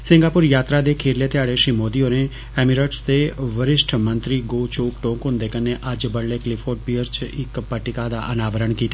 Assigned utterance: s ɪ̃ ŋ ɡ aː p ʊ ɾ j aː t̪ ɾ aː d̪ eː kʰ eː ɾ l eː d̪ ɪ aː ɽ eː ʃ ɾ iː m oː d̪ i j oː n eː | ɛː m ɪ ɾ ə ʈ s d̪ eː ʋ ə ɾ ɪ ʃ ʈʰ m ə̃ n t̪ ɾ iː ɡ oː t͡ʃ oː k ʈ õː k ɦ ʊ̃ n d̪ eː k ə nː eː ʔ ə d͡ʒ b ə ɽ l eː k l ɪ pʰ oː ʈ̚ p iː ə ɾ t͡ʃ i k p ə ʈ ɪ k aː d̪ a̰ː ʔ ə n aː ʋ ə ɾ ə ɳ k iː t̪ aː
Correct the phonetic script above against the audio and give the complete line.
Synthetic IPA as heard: s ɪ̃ ŋ ɡ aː p ʊ ɾ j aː t̪ ɾ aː d̪ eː kʰ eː ɾ l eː t̪ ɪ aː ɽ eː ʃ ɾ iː m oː d̪ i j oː n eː | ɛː m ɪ ɾ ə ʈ s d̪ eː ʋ ə ɾ ɪ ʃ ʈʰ m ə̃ n t̪ ɾ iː ɡ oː t͡ʃ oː k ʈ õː k ɦ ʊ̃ n d̪ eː k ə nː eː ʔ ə d͡ʒ b ə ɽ l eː k l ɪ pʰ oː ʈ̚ p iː ə ɾ t͡ʃ ɪ k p ə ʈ ɪ k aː d̪ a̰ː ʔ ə n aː ʋ ə ɾ ə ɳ k iː t̪ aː